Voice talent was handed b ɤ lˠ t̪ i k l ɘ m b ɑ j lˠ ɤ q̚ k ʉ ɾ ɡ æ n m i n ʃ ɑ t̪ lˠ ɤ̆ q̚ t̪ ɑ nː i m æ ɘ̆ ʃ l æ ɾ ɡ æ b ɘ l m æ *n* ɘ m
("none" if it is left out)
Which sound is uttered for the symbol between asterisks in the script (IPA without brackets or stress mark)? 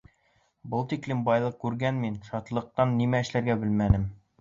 n